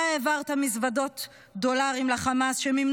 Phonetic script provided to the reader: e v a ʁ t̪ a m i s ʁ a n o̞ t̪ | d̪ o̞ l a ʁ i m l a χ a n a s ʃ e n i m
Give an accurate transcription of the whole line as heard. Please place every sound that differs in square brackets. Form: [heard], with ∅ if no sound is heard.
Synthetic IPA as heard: e v a ʁ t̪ a m i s [v] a [d] o̞ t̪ | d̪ o̞ l a ʁ i m l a χ a [m] a s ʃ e [m] i m